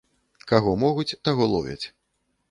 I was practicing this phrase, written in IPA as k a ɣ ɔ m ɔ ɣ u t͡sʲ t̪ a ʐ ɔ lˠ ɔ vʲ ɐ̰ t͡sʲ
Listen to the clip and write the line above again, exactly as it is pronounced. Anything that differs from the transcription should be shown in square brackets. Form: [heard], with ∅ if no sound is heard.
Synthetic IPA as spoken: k a ɣ ɔ m ɔ ɣ u t͡sʲ t̪ a [ɣ] ɔ lˠ ɔ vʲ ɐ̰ t͡sʲ